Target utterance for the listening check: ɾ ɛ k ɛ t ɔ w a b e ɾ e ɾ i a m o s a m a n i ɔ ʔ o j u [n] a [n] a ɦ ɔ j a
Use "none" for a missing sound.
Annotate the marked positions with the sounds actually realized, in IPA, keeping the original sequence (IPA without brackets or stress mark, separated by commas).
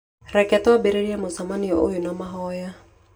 n, m